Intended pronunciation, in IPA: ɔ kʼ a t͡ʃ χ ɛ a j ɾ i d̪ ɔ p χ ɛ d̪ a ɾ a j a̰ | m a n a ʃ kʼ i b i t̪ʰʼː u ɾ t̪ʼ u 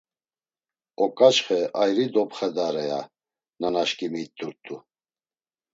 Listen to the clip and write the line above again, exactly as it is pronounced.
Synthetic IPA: ɔ kʼ a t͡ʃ χ ɛ a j ɾ i d̪ ɔ p χ ɛ d̪ a ɾ ɛ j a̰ | n a n a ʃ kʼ i m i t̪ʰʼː u ɾ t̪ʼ u